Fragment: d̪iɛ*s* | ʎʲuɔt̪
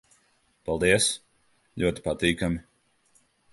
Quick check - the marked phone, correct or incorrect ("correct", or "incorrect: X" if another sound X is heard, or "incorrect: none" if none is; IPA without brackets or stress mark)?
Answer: correct